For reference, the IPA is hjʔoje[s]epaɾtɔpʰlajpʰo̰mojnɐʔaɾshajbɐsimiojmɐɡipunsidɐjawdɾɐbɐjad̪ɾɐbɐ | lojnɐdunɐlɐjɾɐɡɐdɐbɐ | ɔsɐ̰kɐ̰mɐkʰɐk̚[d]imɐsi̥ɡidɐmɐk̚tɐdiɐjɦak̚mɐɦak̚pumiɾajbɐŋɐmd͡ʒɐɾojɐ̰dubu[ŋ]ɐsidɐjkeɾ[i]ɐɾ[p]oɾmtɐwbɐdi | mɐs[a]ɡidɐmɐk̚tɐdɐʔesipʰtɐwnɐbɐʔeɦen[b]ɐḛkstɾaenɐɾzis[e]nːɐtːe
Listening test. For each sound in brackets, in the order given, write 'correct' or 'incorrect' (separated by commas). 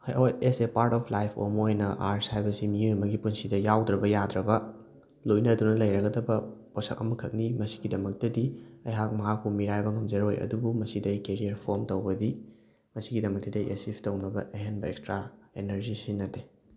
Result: correct, incorrect, incorrect, correct, incorrect, incorrect, correct, incorrect